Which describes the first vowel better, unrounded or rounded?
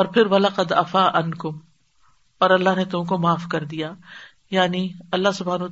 rounded